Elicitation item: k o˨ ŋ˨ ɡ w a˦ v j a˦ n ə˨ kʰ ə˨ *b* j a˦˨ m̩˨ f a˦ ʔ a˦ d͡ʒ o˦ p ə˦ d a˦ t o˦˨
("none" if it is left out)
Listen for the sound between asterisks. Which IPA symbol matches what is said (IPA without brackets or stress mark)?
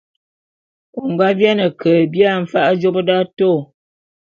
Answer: b